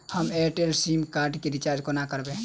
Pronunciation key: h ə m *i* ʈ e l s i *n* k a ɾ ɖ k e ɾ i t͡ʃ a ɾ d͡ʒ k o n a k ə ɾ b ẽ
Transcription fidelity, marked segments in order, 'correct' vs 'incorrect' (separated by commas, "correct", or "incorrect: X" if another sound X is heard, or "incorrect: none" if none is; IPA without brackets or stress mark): incorrect: e, incorrect: m